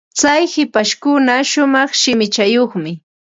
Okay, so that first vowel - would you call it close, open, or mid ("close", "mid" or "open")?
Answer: open